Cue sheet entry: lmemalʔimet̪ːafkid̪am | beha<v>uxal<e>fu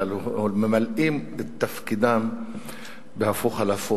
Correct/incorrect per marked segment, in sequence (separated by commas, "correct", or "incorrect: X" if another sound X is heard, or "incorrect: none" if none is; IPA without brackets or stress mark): incorrect: f, incorrect: a